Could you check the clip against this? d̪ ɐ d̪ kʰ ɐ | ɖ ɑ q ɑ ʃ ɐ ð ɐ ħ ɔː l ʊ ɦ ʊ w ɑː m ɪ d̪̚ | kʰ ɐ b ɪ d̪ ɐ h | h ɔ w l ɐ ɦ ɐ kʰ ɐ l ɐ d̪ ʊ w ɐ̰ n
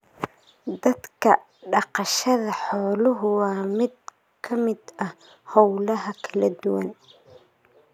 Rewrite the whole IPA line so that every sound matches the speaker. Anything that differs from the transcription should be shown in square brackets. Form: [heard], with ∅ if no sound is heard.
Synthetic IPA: d̪ ɐ d̪ kʰ ɐ | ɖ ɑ q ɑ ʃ ɐ ð ɐ ħ ɔː l ʊ ɦ ʊ w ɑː m ɪ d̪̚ | kʰ ɐ [m] ɪ d̪ ɐ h | h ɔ w l ɐ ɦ ɐ kʰ ɐ l ɐ d̪ ʊ w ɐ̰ n